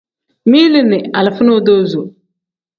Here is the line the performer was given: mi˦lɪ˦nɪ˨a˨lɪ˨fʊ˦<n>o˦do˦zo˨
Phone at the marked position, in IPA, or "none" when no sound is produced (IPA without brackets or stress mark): n